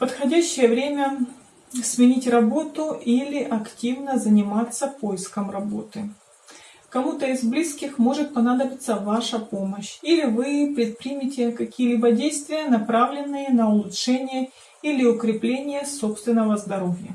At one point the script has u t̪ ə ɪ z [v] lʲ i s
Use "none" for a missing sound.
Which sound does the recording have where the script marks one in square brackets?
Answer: b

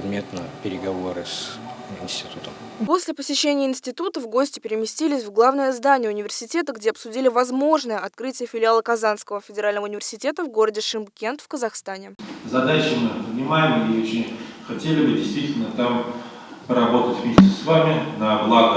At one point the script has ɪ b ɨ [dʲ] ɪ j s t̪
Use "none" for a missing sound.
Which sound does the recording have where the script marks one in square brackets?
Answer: dʲ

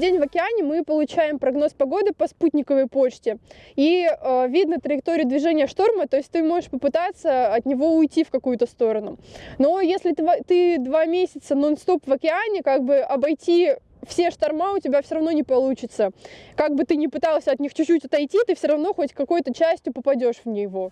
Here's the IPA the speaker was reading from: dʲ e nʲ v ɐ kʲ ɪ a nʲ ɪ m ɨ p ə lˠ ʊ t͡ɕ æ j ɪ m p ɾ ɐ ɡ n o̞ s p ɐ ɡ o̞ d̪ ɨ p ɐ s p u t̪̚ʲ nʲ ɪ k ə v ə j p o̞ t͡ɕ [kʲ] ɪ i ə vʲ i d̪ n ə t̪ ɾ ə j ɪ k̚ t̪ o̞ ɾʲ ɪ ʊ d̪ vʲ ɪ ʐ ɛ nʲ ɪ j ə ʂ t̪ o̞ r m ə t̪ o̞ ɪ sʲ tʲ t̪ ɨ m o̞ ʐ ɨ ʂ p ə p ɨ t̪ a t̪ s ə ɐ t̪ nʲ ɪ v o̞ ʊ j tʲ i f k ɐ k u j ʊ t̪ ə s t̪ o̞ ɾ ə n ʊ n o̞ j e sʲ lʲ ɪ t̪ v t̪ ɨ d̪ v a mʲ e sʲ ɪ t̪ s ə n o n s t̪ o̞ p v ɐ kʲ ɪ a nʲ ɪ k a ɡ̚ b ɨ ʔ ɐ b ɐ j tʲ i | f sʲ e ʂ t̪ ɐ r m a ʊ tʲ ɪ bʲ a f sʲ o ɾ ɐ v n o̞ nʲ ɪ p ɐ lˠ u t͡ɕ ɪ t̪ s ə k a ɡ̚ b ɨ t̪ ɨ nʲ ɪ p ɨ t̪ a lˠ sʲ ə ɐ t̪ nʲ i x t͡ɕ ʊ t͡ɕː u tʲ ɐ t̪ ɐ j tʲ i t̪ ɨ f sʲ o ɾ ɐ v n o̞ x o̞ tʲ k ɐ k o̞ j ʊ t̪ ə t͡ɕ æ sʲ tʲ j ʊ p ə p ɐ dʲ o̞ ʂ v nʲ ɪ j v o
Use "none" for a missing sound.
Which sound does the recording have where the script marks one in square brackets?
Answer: tʲ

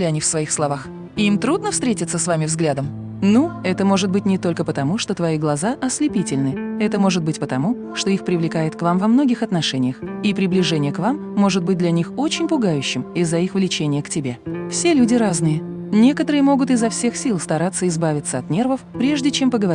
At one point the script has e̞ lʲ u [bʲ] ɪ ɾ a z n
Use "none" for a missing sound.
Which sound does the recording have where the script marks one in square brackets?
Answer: dʲ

